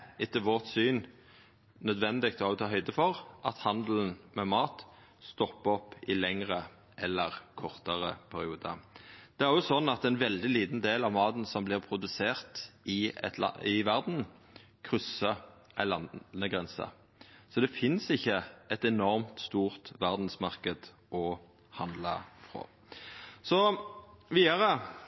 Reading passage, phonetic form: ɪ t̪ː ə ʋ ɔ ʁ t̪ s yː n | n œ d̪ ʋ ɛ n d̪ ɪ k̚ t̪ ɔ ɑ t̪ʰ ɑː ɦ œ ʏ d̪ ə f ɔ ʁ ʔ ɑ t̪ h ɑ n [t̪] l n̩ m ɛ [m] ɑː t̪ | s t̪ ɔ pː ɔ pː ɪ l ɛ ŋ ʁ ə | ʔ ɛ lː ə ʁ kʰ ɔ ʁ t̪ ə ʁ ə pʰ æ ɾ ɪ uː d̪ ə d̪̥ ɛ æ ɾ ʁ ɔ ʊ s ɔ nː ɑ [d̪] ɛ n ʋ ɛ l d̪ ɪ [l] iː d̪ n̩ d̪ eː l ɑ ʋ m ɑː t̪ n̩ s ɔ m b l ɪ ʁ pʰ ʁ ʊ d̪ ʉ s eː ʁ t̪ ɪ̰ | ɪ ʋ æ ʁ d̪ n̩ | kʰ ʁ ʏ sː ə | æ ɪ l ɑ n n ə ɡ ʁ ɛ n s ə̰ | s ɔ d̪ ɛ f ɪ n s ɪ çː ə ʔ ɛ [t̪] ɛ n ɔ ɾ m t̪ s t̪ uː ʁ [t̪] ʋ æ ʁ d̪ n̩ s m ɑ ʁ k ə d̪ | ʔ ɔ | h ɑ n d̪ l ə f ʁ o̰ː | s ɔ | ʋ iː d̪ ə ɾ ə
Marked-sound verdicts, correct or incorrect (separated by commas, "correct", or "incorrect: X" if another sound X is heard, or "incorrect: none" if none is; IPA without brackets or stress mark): incorrect: d̪, correct, incorrect: t̪, correct, correct, correct